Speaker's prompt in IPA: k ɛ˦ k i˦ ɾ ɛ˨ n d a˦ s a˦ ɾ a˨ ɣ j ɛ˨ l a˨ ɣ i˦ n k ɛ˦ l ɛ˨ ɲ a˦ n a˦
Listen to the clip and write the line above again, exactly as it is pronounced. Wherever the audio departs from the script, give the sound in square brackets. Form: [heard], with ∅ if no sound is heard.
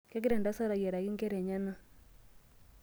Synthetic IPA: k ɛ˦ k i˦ ɾ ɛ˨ n d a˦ s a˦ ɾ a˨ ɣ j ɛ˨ [ɾ] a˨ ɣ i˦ [ŋ] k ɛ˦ [ɾ] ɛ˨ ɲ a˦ n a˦